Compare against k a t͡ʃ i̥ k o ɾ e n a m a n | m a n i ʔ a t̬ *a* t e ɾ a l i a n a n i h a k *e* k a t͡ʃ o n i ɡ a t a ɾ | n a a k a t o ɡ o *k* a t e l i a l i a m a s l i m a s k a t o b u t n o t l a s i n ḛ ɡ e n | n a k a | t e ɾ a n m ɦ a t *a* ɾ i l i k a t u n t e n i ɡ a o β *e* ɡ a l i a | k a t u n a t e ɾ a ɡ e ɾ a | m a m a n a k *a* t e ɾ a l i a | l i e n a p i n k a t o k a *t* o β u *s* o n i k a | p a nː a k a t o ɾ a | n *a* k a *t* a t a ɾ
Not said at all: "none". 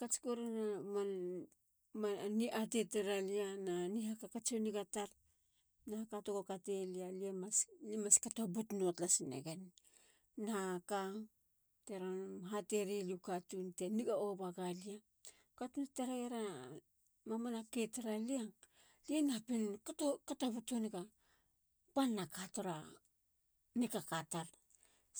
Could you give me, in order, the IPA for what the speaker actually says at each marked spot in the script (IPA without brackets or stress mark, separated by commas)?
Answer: e, a, k, e, a, e, t, t, i, k